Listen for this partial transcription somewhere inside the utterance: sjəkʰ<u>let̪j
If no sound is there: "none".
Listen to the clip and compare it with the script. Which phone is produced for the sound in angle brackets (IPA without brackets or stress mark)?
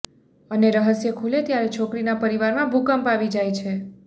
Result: u